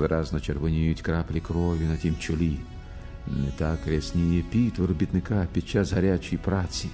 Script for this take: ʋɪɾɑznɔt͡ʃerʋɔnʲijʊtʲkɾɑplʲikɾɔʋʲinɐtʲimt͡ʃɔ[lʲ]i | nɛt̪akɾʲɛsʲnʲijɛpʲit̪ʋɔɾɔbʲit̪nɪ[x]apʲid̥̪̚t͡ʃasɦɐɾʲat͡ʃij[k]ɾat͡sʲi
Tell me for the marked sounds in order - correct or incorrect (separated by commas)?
correct, incorrect, incorrect